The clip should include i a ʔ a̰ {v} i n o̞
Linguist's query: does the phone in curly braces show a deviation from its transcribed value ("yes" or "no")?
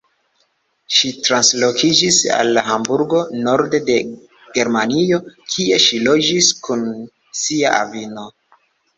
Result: no